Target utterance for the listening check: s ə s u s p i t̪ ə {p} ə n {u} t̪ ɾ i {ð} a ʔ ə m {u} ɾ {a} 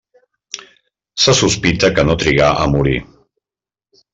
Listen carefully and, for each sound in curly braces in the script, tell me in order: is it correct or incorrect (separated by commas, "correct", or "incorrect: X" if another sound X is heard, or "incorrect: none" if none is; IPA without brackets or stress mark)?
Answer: incorrect: k, incorrect: o, incorrect: ɣ, correct, incorrect: i